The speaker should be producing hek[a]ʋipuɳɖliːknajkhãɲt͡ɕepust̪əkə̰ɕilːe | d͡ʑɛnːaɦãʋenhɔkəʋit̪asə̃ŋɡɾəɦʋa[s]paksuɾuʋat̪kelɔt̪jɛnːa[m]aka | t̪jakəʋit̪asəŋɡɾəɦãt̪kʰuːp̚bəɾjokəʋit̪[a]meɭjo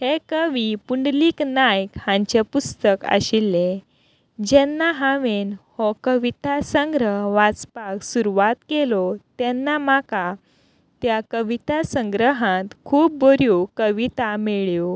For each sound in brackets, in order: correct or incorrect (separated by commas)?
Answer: incorrect, incorrect, correct, correct